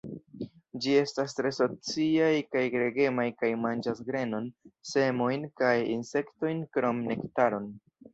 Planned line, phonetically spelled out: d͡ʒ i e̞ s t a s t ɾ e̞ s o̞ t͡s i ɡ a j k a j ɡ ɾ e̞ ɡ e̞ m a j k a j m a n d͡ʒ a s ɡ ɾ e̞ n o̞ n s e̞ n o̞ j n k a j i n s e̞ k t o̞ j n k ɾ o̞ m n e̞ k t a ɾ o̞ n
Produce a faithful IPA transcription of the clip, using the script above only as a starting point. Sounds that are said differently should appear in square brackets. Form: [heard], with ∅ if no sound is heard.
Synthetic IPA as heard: d͡ʒ i e̞ s t a s t ɾ e̞ s o̞ t͡s i [∅] a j k a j ɡ ɾ e̞ ɡ e̞ m a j k a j m a n d͡ʒ a s ɡ ɾ e̞ n o̞ n s e̞ [m] o̞ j n k a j i n s e̞ k t o̞ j n k ɾ o̞ m n e̞ k t a ɾ o̞ n